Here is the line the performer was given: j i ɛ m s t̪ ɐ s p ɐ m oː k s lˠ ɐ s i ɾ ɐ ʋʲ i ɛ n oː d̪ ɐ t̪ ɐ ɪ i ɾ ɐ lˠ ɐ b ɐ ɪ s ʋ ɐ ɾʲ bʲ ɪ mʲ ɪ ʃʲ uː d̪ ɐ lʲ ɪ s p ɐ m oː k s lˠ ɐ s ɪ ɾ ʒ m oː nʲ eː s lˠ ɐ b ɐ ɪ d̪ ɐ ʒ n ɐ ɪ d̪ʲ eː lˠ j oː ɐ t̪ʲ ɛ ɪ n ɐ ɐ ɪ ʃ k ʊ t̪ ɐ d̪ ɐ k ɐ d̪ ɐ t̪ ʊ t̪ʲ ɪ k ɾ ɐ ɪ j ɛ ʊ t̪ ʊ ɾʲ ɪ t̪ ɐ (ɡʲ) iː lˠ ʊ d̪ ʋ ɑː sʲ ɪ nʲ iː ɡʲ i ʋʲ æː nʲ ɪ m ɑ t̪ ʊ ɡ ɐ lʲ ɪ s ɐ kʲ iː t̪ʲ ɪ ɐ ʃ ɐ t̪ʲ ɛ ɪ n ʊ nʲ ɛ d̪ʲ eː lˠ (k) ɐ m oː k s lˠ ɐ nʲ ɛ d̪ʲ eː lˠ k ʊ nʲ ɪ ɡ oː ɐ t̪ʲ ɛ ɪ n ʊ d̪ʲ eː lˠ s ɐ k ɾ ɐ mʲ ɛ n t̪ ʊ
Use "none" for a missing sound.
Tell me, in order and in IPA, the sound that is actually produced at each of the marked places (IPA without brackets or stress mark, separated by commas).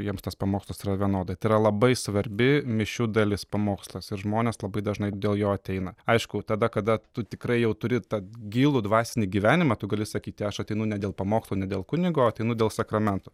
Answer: ɡʲ, p